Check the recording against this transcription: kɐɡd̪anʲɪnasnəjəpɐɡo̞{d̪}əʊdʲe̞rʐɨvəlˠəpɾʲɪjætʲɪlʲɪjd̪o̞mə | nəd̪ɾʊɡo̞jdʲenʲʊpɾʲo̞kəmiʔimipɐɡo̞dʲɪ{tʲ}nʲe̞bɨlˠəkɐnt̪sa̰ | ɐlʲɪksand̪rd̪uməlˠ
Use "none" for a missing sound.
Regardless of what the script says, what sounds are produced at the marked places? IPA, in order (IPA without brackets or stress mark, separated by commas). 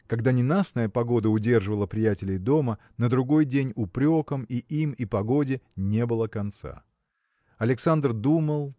d̪, none